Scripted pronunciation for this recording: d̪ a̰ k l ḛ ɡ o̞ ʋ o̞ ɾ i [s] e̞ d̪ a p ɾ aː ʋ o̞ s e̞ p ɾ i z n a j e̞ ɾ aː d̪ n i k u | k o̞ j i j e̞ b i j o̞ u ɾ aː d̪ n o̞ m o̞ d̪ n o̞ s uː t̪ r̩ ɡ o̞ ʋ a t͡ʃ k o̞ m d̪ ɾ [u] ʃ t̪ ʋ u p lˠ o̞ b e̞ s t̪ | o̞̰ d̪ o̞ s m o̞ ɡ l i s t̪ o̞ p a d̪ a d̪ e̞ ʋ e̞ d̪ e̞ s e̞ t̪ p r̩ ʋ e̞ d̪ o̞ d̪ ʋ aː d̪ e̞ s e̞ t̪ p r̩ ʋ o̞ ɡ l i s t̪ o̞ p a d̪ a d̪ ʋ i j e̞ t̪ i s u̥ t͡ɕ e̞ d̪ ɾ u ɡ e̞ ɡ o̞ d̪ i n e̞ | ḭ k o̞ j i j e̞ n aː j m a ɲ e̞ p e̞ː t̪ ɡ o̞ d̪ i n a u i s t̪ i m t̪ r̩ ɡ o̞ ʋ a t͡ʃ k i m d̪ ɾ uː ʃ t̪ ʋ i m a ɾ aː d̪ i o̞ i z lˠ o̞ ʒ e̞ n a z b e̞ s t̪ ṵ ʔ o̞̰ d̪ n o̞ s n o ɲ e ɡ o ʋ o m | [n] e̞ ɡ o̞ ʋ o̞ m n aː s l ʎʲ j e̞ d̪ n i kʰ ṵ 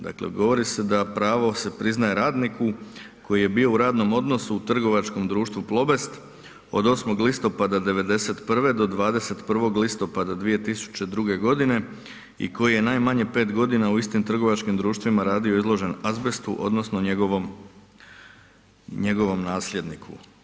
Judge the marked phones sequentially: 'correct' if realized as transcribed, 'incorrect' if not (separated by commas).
correct, incorrect, incorrect